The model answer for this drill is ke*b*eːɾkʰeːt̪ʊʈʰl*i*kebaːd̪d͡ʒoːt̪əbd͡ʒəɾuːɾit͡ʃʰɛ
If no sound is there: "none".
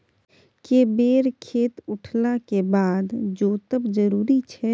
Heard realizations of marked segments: b, a

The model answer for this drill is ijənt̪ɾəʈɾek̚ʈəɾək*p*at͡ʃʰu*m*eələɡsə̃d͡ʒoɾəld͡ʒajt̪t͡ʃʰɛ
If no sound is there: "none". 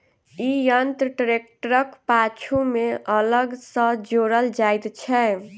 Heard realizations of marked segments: p, m

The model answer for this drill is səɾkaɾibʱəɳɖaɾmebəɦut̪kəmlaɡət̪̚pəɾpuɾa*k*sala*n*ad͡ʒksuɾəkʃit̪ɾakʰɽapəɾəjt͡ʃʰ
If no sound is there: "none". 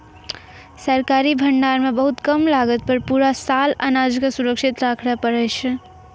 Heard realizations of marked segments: none, n

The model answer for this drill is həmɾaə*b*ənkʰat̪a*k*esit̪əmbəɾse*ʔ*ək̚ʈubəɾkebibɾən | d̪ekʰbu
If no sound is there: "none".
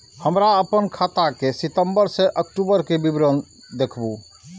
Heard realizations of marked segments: p, k, ʔ

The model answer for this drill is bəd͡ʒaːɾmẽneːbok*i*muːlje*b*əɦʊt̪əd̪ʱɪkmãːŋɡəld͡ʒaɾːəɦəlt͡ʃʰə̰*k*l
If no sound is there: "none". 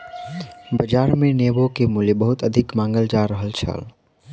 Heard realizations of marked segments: e, b, none

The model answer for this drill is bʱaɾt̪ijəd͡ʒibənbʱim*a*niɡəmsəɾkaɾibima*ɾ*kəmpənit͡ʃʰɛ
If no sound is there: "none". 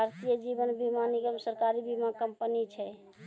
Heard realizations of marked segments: a, none

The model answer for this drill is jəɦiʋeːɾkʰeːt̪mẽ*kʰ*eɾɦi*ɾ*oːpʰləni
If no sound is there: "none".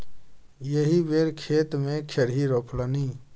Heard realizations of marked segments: kʰ, ɾ

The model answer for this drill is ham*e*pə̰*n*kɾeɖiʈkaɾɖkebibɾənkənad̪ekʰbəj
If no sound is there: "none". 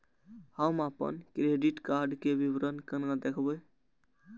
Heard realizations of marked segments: a, n

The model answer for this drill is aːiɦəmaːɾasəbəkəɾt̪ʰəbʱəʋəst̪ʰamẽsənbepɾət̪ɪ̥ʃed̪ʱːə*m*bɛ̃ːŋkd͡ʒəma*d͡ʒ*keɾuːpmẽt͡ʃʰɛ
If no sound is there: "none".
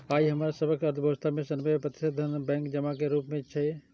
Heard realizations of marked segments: n, none

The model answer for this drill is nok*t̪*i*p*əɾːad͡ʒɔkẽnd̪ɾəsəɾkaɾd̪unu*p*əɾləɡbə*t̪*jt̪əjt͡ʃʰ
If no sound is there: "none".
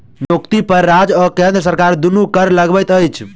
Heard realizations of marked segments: t̪, p, k, none

